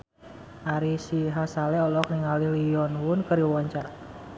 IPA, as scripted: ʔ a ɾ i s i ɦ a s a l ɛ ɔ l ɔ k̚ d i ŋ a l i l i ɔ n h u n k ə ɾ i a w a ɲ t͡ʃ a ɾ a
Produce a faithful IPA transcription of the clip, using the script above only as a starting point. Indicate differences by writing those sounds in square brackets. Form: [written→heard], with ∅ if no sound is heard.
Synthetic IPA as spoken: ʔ a ɾ i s i ɦ a s a l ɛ ɔ l ɔ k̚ [d→n] i ŋ a l i l i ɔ n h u n k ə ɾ i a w a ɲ t͡ʃ a ɾ a